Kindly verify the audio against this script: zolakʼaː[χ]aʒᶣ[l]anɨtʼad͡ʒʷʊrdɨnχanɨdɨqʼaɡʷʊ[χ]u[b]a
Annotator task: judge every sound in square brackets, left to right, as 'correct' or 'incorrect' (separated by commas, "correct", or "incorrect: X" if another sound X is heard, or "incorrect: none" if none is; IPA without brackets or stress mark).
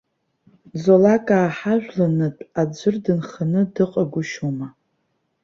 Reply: incorrect: ħ, correct, incorrect: ʃ, incorrect: m